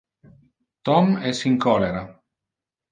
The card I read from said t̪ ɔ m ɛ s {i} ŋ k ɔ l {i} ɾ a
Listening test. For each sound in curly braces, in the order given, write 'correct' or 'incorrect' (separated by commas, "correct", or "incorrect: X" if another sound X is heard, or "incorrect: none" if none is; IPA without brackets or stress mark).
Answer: correct, incorrect: e